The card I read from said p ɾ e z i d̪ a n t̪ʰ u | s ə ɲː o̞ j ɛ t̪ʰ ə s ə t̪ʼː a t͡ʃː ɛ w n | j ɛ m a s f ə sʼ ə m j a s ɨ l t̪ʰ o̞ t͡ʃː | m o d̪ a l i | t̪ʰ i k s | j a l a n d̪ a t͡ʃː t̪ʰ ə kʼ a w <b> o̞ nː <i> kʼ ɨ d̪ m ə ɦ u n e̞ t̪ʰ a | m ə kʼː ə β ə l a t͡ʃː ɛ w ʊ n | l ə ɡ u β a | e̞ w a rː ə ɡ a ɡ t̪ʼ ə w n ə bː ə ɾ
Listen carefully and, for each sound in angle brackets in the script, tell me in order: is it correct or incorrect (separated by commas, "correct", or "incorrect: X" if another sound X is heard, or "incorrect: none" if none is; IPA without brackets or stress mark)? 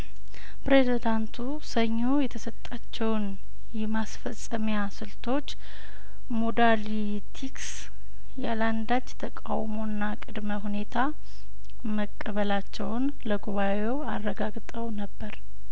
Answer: incorrect: m, incorrect: a